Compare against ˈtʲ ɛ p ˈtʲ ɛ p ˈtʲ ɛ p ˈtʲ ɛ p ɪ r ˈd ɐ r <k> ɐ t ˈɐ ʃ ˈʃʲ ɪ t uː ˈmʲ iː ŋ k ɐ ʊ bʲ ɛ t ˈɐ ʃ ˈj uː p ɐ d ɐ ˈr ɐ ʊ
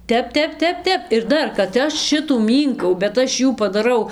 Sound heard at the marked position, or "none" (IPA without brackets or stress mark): k